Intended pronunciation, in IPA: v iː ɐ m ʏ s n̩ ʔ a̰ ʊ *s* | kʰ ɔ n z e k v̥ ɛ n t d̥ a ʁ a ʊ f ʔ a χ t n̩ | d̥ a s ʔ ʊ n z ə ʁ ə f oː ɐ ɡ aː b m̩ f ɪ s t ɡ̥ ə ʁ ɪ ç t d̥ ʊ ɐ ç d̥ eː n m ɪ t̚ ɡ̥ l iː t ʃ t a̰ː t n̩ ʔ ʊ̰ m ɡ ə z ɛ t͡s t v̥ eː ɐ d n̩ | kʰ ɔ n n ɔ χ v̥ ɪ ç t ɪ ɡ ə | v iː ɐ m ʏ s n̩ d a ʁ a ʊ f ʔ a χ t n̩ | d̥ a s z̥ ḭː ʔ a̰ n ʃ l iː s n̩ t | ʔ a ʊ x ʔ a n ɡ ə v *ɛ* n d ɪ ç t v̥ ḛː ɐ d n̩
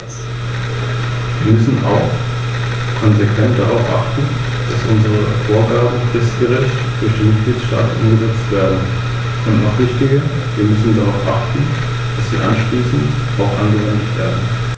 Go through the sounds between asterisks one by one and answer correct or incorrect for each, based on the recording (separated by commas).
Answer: incorrect, correct